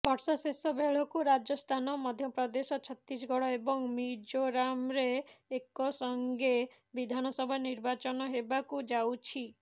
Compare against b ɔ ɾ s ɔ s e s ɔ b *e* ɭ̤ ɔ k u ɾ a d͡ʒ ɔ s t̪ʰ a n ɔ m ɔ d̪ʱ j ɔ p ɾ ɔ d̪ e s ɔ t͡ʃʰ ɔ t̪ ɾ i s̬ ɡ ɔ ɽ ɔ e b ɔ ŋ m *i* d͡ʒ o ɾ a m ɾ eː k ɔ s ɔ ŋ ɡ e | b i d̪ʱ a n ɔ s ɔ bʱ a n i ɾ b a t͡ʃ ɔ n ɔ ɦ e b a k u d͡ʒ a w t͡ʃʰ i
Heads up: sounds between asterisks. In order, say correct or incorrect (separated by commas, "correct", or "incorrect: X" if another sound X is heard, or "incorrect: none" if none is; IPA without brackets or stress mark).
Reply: correct, correct